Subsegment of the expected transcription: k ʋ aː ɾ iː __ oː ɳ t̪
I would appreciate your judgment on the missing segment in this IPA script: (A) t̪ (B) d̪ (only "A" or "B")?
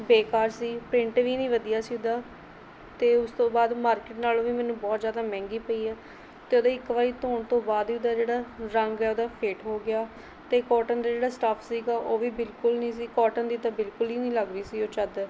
A